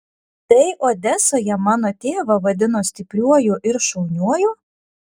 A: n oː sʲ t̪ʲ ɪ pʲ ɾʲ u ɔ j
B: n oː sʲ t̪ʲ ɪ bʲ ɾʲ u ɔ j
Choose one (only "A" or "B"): A